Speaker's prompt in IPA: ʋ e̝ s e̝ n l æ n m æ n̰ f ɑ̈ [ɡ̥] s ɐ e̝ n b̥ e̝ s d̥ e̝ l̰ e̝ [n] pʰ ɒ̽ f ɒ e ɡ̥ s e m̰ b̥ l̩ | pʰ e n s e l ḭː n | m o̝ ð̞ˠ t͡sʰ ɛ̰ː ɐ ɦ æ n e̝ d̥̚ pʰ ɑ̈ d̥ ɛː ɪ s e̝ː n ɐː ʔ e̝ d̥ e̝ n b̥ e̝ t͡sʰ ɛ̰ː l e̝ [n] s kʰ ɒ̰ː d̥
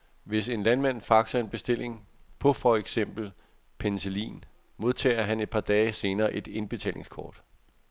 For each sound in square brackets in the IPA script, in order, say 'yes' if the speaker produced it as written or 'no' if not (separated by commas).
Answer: yes, no, no